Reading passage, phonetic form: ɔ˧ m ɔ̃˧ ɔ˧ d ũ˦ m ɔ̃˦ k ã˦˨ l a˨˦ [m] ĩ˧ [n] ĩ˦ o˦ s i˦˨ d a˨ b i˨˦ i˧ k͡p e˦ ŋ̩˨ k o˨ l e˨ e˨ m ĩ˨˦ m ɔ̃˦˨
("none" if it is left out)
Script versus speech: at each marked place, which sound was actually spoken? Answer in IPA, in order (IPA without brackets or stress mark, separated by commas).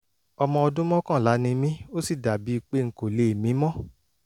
n, m